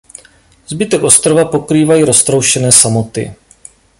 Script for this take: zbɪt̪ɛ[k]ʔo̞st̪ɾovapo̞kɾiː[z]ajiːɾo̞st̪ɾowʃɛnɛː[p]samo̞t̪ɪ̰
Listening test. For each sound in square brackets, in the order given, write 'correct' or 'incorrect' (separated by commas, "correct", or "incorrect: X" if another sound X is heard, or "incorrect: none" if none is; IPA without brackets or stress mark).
correct, incorrect: v, incorrect: none